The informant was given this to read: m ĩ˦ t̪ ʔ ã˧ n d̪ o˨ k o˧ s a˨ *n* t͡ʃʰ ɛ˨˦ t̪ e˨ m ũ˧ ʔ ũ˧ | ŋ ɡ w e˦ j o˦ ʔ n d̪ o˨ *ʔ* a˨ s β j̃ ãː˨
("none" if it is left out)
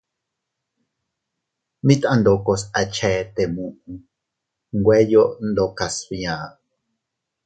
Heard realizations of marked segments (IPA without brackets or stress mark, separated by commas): none, k